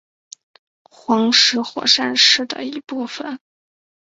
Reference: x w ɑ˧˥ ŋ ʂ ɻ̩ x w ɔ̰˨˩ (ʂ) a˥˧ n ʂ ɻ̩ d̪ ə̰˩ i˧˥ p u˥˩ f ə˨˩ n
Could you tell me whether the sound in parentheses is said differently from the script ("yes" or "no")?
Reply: no